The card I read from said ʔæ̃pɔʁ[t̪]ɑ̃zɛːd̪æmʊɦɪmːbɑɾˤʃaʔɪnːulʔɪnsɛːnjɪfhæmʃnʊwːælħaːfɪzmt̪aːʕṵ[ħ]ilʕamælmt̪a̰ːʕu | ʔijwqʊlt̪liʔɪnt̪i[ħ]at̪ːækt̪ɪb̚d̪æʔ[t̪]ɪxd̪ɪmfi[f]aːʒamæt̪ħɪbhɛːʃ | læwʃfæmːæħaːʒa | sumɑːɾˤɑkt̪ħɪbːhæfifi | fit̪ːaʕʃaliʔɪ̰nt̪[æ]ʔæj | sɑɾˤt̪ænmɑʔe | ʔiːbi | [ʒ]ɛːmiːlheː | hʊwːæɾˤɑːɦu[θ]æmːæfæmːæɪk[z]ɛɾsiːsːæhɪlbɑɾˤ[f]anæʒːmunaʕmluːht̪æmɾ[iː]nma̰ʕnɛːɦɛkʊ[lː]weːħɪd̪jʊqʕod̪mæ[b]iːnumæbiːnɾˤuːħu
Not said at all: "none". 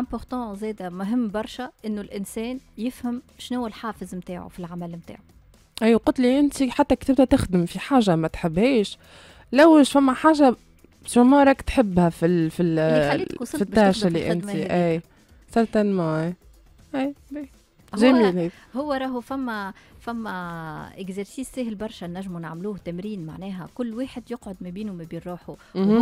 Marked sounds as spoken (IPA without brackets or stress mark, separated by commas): t̪, f, ħ, t̪, ħ, i, ʒ, f, z, ʃ, iː, lː, b